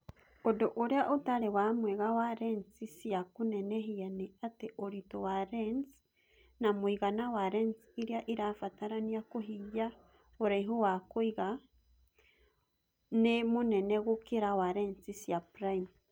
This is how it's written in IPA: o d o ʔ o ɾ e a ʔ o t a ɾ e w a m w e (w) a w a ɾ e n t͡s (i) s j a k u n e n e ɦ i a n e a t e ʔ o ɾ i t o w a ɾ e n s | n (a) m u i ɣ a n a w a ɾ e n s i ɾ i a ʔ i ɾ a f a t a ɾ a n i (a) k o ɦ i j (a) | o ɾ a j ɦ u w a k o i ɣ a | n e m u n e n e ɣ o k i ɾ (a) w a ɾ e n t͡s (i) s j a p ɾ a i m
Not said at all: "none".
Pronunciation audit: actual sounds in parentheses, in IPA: ɣ, i, a, a, a, a, i

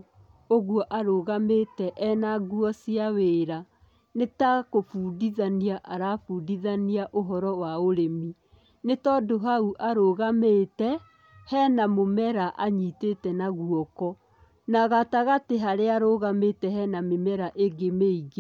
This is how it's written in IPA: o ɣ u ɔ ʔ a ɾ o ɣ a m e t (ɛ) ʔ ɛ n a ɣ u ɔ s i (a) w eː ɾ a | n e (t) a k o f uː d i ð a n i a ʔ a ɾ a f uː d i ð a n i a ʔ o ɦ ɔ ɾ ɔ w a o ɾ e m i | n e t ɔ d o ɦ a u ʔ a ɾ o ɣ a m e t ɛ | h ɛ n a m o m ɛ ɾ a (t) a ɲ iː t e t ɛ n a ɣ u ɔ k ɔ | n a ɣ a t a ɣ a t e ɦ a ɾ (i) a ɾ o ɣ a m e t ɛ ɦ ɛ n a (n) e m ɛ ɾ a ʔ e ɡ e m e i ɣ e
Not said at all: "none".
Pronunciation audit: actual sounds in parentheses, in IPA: ɛ, a, t, ʔ, e, m

